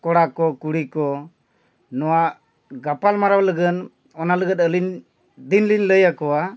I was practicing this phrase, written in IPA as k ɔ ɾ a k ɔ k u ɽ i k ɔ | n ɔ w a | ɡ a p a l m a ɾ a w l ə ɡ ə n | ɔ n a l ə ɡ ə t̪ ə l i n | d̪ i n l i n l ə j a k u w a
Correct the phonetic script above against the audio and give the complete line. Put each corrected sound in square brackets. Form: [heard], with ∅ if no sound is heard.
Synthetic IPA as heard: k ɔ [ɽ] a k ɔ k u ɽ i k ɔ | n ɔ w a | ɡ a p a l m a ɾ a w l ə ɡ ə n | ɔ n a l ə ɡ ə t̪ ə l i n | d̪ i n l i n l ə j a k [ɔ] w a

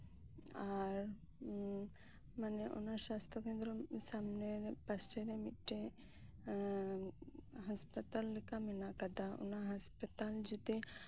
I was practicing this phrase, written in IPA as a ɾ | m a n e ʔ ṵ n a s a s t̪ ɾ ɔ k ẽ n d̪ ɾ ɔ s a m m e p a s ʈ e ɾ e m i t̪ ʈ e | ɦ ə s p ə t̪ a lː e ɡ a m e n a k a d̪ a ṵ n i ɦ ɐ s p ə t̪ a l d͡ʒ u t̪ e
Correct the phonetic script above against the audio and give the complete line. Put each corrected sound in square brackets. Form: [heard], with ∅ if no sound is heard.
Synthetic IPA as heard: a ɾ | m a n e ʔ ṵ n a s a s t̪ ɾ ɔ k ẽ n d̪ ɾ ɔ s a m [n] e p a s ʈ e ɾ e m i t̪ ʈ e | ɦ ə s p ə t̪ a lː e [k] a m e n a k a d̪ a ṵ n [a] ɦ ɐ s p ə t̪ a l d͡ʒ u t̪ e

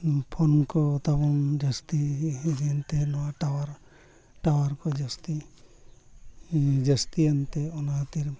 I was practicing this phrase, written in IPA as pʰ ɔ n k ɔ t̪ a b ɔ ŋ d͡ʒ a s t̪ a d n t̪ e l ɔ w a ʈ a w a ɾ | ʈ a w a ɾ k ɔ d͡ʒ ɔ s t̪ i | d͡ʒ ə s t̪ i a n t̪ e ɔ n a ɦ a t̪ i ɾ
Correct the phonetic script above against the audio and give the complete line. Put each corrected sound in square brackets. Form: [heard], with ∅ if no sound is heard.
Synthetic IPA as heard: pʰ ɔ n k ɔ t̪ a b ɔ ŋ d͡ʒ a s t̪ [i] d n t̪ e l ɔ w a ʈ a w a ɾ | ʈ a w a ɾ k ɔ d͡ʒ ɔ s t̪ i | d͡ʒ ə s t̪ i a n t̪ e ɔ n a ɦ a t̪ i ɾ

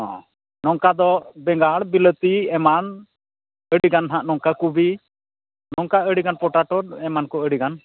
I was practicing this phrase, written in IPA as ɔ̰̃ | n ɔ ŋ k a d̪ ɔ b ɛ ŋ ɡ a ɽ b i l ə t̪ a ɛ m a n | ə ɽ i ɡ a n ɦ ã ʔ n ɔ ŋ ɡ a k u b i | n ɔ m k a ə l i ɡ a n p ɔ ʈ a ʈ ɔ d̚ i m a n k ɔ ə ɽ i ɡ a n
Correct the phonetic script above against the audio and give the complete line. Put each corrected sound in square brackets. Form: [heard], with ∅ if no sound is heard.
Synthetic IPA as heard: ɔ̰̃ | n ɔ ŋ k a d̪ ɔ b ɛ ŋ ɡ a ɽ b i l ə t̪ [i] ɛ m a n | ə ɽ i ɡ a n ɦ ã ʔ n ɔ ŋ [k] a k u b i | n ɔ [ŋ] k a ə [ɽ] i ɡ a n p ɔ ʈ a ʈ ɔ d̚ [ɛ] m a n k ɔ ə ɽ i ɡ a n

